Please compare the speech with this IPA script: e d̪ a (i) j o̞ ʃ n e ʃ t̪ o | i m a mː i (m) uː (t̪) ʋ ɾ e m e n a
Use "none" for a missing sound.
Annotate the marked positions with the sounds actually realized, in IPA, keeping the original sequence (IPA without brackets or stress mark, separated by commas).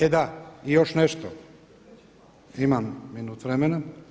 i, n, t̪